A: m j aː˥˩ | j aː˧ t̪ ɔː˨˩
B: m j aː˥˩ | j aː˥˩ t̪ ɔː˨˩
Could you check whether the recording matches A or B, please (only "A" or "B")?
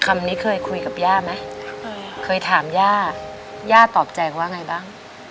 B